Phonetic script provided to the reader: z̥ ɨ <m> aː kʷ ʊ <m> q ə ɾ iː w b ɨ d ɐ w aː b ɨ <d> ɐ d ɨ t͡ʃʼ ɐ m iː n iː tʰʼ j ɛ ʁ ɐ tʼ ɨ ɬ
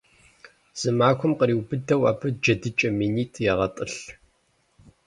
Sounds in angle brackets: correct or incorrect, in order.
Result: correct, correct, incorrect

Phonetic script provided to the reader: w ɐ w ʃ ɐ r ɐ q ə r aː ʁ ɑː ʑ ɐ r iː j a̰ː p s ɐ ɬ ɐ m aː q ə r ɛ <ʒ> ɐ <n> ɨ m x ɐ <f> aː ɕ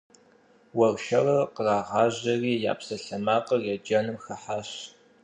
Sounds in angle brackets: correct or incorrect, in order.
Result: incorrect, correct, incorrect

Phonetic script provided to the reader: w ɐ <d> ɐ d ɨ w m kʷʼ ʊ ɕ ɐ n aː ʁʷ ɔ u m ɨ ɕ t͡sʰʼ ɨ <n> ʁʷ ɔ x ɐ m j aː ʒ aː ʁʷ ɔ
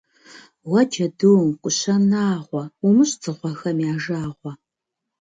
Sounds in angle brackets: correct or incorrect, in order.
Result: incorrect, incorrect

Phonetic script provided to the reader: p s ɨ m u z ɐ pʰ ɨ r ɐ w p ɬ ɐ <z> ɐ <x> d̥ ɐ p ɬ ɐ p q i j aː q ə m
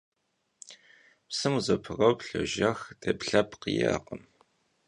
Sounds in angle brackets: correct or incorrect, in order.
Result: incorrect, correct

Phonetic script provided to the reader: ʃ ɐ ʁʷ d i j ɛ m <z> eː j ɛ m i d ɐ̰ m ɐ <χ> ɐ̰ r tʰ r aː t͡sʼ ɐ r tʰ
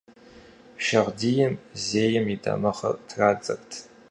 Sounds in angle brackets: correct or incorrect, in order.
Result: correct, correct

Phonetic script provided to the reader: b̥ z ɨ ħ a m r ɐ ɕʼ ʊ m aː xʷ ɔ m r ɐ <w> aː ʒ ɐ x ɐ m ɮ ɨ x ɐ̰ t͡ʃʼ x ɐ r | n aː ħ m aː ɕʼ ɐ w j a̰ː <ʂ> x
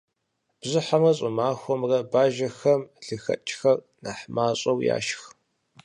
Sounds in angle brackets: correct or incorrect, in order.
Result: incorrect, incorrect

